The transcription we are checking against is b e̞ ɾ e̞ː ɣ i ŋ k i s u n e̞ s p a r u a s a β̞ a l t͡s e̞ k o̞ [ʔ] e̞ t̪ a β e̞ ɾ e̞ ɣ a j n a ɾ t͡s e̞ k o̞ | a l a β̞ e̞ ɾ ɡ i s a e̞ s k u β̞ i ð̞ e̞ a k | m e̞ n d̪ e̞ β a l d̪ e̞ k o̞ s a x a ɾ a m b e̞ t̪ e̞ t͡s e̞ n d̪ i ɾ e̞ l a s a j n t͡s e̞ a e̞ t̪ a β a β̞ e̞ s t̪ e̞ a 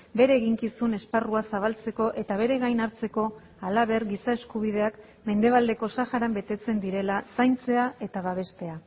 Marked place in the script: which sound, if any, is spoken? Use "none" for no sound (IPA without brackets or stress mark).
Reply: ʔ